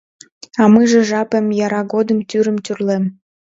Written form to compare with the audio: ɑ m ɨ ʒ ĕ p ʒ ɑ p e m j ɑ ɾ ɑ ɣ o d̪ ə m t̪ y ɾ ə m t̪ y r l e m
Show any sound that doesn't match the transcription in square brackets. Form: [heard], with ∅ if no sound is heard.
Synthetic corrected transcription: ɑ m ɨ ʒ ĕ [∅] ʒ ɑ p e m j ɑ ɾ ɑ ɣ o d̪ ə m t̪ y ɾ ə m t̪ y r l e m